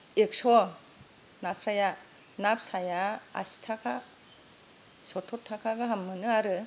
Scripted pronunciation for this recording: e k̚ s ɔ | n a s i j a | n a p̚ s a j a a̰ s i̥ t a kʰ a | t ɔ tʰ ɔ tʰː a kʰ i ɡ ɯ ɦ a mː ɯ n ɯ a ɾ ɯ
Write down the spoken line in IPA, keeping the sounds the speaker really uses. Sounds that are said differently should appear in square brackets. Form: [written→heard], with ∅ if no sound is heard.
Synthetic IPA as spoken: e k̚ s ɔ | n a s [i→a] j a | n a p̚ s a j a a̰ s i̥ [t→tʰ] a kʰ a | [t→s] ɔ tʰ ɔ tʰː a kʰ [i→a] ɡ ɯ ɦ a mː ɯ n ɯ a ɾ ɯ